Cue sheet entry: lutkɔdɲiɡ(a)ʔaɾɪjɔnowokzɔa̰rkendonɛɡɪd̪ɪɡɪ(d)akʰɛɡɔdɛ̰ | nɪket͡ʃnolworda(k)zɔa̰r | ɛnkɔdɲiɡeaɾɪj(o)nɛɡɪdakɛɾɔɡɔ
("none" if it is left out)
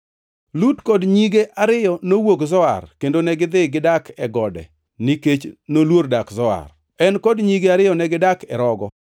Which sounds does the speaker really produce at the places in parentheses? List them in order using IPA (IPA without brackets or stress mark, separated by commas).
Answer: e, d, k, ɔ